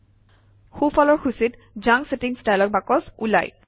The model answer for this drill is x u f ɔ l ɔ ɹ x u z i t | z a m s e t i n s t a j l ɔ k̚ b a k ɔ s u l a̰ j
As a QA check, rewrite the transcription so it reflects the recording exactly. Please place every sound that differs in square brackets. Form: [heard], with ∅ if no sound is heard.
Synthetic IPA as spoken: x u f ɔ l ɔ ɹ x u [s] i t | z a [ŋ] s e t i [ŋ] s t a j l ɔ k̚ b a k ɔ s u l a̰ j